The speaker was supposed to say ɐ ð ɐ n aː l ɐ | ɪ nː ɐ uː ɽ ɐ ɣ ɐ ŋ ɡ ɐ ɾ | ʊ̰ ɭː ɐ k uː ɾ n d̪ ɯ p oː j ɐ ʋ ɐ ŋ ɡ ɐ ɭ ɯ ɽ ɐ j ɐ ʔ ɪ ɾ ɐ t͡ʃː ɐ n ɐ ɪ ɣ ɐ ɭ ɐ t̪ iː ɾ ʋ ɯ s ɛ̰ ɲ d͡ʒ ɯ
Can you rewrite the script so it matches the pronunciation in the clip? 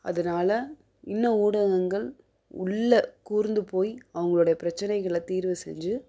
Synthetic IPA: ɐ ð ɐ n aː l ɐ | ɪ nː ɐ uː ɽ ɐ ɣ ɐ ŋ ɡ ɐ ɭ | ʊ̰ ɭː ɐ k uː ɾ n d̪ ɯ p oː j ɐ ʋ ɐ ŋ ɡ ɐ ɭ ɯ ɽ ɐ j ɐ p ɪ ɾ ɐ t͡ʃː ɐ n ɐ ɪ ɣ ɐ ɭ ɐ t̪ iː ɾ ʋ ɯ s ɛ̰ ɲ d͡ʒ ɯ